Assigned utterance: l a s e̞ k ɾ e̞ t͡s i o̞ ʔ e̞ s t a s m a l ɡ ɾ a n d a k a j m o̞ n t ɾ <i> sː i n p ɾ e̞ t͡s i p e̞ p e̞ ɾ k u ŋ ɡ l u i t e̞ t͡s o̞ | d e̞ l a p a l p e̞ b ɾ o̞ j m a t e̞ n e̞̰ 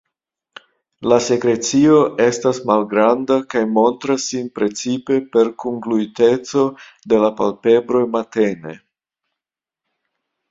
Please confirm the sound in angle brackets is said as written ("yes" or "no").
no